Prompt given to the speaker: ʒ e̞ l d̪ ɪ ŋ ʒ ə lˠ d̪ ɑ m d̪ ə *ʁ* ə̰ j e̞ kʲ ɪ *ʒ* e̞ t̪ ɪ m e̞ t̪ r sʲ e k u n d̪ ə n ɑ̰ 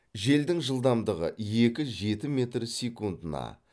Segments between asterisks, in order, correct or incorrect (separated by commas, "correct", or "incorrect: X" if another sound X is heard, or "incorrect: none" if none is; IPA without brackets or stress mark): correct, correct